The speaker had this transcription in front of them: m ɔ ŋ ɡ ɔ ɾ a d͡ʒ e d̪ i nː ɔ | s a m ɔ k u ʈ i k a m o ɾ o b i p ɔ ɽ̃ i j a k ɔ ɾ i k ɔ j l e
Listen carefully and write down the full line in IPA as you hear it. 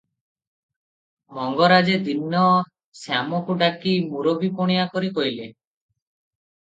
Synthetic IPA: m ɔ ŋ ɡ ɔ ɾ a d͡ʒ e d̪ i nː ɔ | s a m ɔ k u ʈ a k i m u ɾ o b i p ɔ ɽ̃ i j a k ɔ ɾ i k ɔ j l e